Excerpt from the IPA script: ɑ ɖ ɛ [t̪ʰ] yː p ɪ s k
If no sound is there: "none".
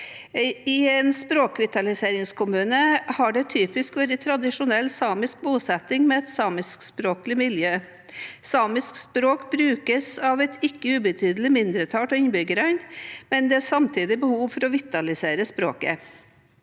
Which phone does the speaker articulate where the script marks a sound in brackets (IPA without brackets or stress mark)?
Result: t̪ʰ